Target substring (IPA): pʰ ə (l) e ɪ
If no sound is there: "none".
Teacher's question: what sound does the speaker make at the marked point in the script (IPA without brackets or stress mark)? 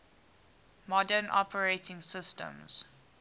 ɹ